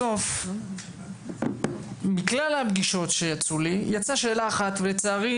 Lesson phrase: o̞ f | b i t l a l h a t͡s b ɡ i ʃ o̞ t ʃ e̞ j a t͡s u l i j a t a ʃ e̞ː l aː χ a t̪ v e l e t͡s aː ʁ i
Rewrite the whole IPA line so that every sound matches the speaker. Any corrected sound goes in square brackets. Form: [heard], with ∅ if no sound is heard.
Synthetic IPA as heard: o̞ f | [m] i [k] l a l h a [∅] b ɡ i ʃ o̞ t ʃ e̞ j a t͡s u l i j a [t͡s] a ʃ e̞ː l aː χ a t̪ v e l e t͡s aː ʁ i